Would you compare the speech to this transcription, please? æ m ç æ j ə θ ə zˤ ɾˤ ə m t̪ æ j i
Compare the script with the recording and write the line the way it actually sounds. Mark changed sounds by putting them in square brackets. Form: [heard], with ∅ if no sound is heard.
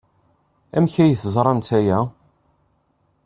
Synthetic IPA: æ m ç æ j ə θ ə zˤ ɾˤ [ɑ] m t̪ æ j [æ]

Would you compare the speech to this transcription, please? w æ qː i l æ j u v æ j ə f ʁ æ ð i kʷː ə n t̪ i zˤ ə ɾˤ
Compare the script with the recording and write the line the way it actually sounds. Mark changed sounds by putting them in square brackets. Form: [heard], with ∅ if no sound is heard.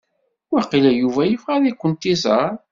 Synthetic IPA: w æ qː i l æ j u v æ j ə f ʁ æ ð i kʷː ə n t̪ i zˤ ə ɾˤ

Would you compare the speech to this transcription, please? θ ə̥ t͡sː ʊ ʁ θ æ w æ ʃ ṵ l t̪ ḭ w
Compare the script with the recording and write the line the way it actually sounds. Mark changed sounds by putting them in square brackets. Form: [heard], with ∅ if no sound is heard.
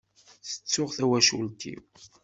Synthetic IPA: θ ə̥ t͡sː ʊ ʁ θ æ w æ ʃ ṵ l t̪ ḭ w

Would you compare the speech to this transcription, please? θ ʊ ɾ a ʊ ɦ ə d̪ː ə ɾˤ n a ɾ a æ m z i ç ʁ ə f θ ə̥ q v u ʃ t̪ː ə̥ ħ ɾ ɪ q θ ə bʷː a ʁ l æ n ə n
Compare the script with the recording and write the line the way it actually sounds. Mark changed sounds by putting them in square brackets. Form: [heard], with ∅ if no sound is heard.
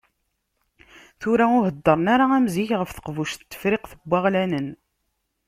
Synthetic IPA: θ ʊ ɾ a ʊ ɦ ə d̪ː ə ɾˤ n a ɾ a æ m z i ç ʁ ə f θ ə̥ q v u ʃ t̪ː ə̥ [f] ɾ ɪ q θ ə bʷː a ʁ l æ n ə n

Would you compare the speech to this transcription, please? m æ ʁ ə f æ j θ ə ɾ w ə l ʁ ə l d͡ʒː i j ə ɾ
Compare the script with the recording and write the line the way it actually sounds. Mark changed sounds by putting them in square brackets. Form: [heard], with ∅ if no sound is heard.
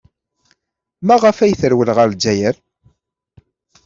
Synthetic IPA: m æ ʁ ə f æ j θ ə ɾ w ə l ʁ ə [ɾ] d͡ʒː [æ] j ə ɾ

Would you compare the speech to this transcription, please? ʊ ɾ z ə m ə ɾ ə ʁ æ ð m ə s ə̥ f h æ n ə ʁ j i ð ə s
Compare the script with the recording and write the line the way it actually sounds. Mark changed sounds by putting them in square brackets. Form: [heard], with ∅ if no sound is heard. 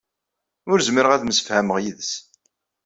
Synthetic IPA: ʊ ɾ z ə m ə ɾ ə ʁ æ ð m ə s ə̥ f h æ [m] ə ʁ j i ð ə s

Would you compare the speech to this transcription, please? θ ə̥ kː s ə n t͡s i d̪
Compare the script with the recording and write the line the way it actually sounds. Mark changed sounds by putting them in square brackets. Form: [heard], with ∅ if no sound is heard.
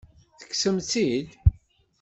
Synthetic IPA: θ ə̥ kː s ə [m] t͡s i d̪

